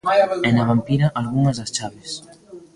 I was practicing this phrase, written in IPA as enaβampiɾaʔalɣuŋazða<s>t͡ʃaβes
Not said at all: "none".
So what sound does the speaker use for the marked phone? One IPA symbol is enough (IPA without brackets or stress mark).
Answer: s